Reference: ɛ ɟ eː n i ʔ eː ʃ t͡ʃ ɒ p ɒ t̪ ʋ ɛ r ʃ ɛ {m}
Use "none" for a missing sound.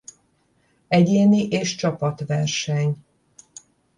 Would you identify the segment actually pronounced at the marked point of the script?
ɲ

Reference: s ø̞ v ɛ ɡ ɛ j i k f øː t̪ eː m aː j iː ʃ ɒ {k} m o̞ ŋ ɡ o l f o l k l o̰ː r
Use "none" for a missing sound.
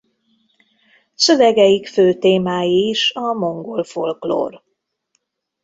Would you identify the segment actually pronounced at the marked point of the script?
none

